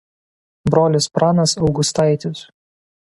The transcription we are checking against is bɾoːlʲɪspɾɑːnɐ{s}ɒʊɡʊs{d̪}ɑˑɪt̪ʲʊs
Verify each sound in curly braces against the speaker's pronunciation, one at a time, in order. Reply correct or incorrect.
correct, incorrect: t̪

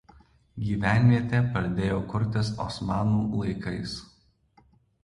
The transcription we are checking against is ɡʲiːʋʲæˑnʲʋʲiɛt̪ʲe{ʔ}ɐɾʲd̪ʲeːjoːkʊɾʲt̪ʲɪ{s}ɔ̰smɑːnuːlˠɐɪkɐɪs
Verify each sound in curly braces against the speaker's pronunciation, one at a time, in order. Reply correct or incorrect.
incorrect: p, correct

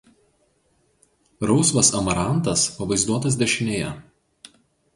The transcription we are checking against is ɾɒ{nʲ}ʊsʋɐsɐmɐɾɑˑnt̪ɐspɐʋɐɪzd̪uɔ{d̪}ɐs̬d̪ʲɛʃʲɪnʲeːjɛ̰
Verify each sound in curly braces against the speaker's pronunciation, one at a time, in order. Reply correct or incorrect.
incorrect: none, incorrect: t̪

